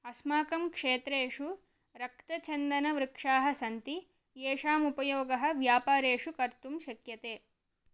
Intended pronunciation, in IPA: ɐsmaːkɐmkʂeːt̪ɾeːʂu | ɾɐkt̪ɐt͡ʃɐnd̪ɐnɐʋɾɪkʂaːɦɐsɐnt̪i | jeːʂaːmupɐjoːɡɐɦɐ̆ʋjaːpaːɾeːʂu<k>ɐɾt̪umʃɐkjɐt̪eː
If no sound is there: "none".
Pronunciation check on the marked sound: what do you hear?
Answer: k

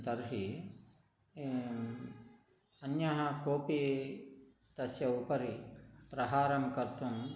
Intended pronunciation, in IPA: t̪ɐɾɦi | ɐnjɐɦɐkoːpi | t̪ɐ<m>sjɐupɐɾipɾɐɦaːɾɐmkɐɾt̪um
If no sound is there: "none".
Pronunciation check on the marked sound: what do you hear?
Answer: none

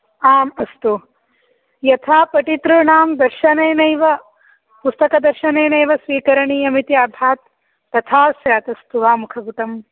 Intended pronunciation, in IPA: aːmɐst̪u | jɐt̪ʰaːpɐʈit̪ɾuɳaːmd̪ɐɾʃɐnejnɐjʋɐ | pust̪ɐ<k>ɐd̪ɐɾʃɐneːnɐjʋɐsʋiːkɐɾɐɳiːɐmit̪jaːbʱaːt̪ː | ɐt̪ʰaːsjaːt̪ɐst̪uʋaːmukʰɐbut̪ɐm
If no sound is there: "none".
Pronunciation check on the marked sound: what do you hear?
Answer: k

